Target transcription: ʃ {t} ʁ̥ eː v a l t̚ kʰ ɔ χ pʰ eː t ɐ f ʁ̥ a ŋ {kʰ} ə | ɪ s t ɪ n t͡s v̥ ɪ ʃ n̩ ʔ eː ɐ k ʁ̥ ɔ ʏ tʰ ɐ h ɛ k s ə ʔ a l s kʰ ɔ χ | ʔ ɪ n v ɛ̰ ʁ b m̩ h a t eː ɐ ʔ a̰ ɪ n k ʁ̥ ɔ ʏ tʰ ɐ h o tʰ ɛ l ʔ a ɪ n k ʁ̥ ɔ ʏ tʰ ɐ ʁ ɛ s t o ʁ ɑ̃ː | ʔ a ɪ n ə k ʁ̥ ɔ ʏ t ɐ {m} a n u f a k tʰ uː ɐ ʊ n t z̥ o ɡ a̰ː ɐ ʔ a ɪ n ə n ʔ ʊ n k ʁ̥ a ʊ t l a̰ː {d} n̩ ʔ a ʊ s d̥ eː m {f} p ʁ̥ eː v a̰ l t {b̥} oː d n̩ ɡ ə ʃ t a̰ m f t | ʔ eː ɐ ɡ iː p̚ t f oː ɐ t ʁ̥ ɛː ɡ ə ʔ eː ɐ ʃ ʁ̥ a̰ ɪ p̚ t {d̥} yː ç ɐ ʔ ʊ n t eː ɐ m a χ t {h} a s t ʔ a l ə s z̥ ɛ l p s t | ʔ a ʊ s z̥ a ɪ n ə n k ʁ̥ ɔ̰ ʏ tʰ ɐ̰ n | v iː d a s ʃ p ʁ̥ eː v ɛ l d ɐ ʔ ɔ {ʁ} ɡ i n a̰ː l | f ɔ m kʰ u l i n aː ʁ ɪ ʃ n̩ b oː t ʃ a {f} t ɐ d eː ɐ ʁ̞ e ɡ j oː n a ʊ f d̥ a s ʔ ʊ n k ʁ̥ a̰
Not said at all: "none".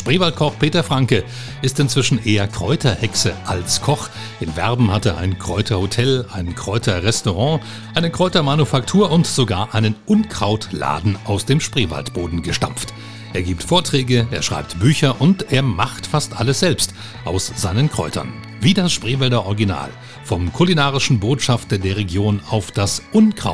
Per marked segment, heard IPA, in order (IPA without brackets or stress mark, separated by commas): p, k, m, d, ʃ, b̥, b̥, f, ʁ, f